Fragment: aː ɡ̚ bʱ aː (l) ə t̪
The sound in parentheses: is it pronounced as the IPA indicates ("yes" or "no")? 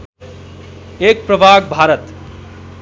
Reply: no